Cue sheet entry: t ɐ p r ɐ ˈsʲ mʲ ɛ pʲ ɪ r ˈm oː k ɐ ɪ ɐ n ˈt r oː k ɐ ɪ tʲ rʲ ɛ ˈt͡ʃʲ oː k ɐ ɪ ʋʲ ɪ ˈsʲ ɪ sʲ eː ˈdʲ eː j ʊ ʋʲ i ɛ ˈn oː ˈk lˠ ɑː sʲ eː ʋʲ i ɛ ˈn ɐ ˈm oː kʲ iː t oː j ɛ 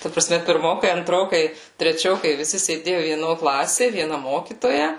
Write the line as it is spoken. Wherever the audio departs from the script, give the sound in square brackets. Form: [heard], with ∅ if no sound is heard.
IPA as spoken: t ɐ p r ɐ ˈsʲ mʲ ɛ pʲ ɪ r ˈm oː k ɐ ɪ ɐ n ˈt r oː k ɐ ɪ tʲ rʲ ɛ ˈt͡ʃʲ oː k ɐ ɪ ʋʲ ɪ ˈsʲ ɪ sʲ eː ˈdʲ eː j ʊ ʋʲ i ɛ ˈn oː ˈk lˠ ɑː sʲ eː ʋʲ i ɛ ˈn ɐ ˈm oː kʲ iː t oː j ɛ